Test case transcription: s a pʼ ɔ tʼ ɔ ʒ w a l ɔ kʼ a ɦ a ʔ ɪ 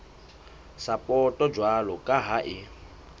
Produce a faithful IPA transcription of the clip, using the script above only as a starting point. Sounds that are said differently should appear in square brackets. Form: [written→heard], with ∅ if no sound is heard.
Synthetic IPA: s a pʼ ɔ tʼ ɔ [ʒ→d͡ʒ] w a l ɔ kʼ a ɦ a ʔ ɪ